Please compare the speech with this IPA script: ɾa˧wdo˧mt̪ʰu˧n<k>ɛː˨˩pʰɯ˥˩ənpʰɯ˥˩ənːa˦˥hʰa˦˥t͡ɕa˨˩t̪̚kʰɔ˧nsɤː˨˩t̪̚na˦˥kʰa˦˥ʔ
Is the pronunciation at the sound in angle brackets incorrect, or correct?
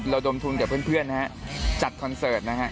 correct